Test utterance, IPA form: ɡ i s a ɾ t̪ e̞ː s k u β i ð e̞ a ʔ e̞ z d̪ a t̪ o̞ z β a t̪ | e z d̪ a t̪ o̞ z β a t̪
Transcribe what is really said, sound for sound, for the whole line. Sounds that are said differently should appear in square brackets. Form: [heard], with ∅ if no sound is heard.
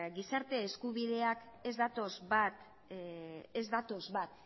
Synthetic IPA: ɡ i s a ɾ t̪ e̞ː s k u β i ð e̞ a [k] e̞ z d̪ a t̪ o̞ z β a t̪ | e z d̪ a t̪ o̞ z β a t̪